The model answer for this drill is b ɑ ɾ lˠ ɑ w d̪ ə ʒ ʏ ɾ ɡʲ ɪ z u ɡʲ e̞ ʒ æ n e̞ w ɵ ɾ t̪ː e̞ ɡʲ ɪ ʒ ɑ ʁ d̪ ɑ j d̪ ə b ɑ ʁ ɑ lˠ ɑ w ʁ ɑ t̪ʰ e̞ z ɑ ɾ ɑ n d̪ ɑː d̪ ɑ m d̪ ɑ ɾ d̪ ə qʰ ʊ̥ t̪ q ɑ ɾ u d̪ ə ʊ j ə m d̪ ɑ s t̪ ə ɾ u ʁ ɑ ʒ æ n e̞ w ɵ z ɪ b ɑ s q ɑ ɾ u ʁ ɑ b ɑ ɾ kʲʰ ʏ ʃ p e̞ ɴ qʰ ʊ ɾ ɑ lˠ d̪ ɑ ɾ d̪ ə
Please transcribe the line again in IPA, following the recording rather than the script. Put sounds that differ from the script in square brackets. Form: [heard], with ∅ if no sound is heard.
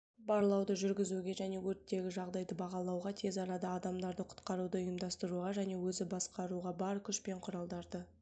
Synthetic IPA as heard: b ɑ ɾ lˠ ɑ w d̪ ə ʒ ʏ ɾ ɡʲ ɪ z u ɡʲ e̞ ʒ æ n e̞ w ɵ ɾ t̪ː e̞ ɡʲ ɪ ʒ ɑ ʁ d̪ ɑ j d̪ ə b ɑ ʁ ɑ lˠ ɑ w ʁ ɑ t̪ʰ e̞ z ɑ ɾ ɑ [∅] d̪ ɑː d̪ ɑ m d̪ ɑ ɾ d̪ ə qʰ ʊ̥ t̪ q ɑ ɾ u d̪ ə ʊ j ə m d̪ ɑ s t̪ ə ɾ u ʁ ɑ ʒ æ n e̞ w ɵ z ɪ b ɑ s q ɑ ɾ u ʁ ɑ b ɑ ɾ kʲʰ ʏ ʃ p e̞ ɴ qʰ ʊ ɾ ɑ lˠ d̪ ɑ ɾ d̪ ə